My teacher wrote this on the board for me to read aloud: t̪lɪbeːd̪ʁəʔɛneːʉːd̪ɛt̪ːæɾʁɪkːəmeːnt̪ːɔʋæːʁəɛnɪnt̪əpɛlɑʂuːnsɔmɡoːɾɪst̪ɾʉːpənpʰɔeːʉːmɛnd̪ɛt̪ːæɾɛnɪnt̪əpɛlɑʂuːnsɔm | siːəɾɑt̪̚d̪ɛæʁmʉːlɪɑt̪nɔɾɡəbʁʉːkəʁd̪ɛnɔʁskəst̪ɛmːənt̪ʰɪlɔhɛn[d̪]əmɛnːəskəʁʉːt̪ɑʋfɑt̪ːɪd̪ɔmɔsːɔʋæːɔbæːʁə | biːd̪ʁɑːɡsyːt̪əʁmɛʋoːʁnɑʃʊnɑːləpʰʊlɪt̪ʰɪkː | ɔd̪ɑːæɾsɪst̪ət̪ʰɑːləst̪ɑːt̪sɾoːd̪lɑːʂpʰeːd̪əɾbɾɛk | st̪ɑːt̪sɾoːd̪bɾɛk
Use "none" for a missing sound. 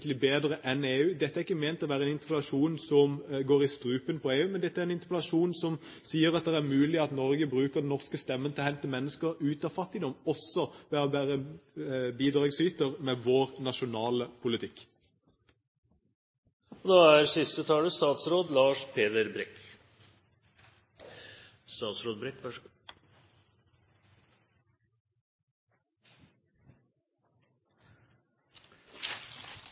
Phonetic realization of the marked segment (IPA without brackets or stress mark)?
t̪